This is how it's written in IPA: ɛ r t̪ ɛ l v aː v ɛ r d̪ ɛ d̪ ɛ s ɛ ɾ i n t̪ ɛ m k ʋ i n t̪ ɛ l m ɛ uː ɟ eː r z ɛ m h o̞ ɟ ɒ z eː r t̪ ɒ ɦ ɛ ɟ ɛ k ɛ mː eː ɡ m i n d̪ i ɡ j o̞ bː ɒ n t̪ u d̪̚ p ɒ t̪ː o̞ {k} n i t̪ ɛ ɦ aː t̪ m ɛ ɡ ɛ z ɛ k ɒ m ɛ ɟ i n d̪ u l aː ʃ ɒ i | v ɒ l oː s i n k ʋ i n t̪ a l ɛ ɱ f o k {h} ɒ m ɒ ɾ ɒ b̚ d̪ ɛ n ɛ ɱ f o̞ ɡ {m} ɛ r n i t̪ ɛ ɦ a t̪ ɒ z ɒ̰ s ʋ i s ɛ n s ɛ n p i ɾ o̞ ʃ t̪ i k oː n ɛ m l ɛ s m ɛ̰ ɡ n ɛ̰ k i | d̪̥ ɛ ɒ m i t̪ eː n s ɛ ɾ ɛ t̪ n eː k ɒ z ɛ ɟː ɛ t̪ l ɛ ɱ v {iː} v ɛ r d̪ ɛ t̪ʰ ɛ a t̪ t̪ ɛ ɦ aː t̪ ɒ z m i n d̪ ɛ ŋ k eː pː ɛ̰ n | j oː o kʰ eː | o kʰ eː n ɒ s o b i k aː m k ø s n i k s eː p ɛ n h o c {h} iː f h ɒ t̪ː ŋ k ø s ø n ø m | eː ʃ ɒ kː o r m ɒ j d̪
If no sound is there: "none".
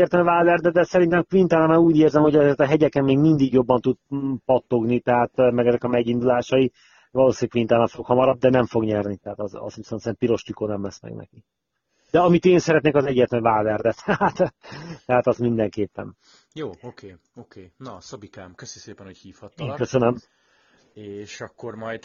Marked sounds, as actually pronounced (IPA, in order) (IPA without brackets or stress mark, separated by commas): ɡ, h, ɲ, aː, h